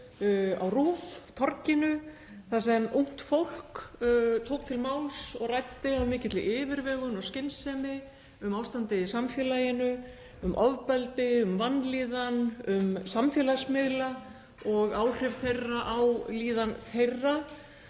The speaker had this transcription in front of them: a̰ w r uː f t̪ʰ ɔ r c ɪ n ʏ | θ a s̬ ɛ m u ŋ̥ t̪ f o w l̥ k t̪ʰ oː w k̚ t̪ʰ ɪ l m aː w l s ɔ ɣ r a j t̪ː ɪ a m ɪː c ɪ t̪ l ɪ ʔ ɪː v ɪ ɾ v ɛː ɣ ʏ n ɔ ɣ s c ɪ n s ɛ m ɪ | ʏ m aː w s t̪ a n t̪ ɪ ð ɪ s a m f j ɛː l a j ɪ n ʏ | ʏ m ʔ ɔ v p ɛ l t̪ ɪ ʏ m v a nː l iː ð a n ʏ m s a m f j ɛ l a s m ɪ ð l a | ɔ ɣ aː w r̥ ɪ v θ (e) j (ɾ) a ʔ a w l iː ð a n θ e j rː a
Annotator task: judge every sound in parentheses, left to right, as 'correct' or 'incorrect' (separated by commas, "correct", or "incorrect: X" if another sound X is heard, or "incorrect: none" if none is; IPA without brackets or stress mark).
correct, incorrect: r